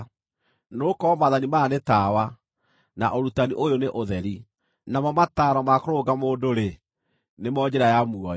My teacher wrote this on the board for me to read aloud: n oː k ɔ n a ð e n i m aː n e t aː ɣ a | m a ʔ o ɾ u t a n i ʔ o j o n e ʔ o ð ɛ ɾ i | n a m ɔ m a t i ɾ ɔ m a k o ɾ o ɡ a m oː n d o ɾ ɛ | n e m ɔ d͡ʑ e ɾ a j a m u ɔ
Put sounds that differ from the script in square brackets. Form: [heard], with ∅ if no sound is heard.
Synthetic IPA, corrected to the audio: n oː k ɔ [m] a ð [a] n i m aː n e t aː [w] a | [n] a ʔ o ɾ u t a n i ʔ o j o n e ʔ o ð ɛ ɾ i | n a m ɔ m a t [a] ɾ ɔ m a k o ɾ o ɡ a m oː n d o ɾ [e] | n e m ɔ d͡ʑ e ɾ a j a m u ɔ